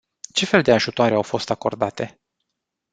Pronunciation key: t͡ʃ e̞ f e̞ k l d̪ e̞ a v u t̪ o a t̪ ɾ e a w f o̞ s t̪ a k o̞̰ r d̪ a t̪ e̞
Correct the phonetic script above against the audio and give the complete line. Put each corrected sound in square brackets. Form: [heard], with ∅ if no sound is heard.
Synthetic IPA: t͡ʃ e̞ f e̞ [∅] l d̪ e̞ a [ʒ] u t̪ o a [∅] ɾ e a w f o̞ s t̪ a k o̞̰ r d̪ a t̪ e̞